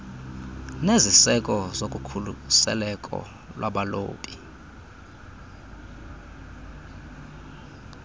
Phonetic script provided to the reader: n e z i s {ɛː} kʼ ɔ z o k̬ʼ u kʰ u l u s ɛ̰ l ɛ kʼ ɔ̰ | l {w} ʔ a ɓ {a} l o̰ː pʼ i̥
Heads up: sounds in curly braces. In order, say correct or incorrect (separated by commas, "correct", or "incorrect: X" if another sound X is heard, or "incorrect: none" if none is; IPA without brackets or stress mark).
incorrect: ɛ, correct, correct